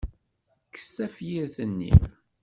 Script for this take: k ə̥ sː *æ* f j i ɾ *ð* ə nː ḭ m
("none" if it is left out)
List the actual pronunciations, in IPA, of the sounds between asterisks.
æ, θ

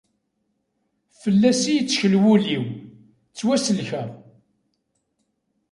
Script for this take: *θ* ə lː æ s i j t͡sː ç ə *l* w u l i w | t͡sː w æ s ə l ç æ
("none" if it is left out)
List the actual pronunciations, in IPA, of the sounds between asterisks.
f, l

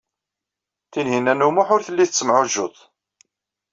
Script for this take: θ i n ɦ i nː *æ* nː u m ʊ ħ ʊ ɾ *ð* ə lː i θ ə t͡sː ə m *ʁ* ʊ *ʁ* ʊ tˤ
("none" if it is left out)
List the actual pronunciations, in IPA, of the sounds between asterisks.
æ, θ, ʕ, ʒ

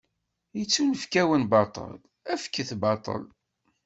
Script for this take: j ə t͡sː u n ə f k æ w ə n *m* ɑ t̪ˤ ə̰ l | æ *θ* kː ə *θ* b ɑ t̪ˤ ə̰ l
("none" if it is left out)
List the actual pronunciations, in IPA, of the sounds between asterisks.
b, f, θ

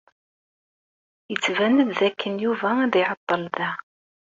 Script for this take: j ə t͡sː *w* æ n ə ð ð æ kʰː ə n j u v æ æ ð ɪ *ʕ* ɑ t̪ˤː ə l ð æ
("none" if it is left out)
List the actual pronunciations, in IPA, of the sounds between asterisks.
v, ʕ

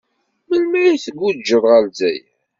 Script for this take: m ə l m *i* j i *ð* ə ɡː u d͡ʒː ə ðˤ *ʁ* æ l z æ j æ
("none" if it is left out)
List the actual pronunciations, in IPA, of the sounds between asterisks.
æ, θ, ʁ

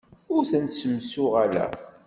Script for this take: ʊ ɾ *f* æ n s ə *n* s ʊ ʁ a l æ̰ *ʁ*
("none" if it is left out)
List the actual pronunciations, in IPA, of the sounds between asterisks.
θ, m, none

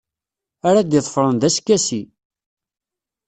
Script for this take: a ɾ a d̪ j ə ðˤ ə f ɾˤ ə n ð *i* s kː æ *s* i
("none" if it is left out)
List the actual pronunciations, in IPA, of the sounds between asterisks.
æ, s

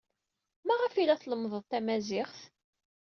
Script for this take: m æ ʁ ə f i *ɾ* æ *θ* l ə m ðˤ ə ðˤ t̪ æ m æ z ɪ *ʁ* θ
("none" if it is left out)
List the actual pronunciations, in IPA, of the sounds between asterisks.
l, θ, χ

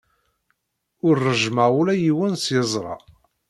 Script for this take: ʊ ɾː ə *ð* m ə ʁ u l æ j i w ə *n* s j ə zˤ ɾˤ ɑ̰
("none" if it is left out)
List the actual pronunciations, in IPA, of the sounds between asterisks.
ʒ, n

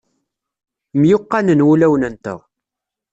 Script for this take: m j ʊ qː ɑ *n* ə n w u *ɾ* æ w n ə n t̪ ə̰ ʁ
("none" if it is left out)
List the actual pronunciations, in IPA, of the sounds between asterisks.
n, l

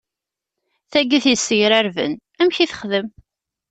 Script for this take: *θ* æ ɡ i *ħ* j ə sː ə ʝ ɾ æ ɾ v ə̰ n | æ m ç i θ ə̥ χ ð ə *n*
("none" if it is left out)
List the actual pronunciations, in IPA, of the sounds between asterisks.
θ, θ, m

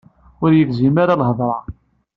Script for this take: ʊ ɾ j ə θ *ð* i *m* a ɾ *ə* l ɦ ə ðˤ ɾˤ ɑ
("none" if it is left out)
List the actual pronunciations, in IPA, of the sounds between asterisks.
z, m, a

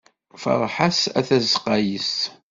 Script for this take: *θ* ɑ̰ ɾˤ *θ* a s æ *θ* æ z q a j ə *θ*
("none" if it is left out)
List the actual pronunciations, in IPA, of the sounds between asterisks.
f, ħ, θ, s

